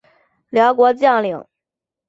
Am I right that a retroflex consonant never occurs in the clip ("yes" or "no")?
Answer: yes